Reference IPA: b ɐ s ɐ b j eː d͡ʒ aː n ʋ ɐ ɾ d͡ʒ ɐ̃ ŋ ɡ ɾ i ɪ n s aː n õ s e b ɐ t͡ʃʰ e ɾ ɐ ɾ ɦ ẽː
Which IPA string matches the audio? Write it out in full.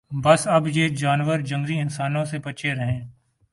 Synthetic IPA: b ɐ s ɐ b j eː d͡ʒ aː n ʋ ə ɾ d͡ʒ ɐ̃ ŋ ɡ ɾ i ɪ n s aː n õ s e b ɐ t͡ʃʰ e ɾ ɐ ɦ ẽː